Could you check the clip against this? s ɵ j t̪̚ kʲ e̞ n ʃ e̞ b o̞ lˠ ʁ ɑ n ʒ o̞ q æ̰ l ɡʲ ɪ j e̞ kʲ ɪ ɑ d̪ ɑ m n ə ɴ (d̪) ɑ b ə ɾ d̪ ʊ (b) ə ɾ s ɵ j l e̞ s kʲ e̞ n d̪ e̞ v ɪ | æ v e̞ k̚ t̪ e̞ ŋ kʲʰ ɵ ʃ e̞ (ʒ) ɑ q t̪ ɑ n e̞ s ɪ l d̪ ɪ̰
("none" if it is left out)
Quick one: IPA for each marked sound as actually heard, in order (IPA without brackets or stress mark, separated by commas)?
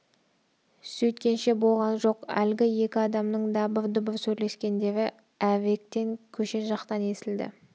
d̪, b, ʒ